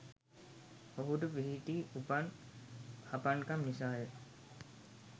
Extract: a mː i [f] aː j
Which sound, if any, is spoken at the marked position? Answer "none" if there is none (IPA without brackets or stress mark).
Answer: s